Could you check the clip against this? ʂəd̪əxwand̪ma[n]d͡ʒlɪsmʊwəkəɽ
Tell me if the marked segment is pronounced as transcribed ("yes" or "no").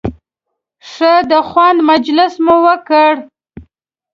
no